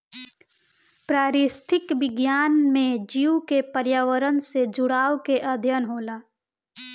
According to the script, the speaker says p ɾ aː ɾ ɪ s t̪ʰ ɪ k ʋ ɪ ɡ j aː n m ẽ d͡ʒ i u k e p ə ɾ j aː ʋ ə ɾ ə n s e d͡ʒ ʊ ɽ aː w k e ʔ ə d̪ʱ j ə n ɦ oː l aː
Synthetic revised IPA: p ɾ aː ɾ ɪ s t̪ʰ ɪ k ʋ ɪ ɡ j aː n m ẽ d͡ʒ i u k e p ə ɾ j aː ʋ ə ɾ ə n s e d͡ʒ ʊ ɽ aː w k e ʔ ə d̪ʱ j ə n ɦ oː l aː